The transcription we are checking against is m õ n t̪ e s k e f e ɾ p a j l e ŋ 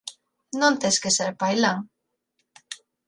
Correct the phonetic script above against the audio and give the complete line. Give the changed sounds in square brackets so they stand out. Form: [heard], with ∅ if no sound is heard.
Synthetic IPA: [n] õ n t̪ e s k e [s] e ɾ p a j l [a] ŋ